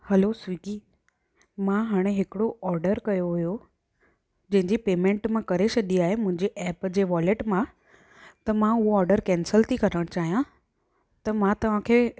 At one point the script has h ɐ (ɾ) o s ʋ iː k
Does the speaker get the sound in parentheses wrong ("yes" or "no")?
yes